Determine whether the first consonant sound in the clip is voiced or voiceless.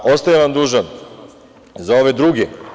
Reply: voiceless